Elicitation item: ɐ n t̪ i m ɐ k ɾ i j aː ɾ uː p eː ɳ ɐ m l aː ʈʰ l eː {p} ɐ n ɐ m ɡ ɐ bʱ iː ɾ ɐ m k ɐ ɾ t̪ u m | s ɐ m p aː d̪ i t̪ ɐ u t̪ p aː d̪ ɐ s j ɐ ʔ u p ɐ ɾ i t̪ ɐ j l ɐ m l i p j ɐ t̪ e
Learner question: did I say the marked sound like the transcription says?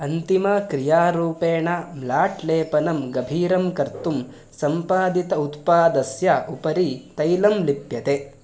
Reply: yes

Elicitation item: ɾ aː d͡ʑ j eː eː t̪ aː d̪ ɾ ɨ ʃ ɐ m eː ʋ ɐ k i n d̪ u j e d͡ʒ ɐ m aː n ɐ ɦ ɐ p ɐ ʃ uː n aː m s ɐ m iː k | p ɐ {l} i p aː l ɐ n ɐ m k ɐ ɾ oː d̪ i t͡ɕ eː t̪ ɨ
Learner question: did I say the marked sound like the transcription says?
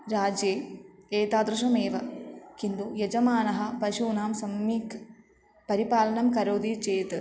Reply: no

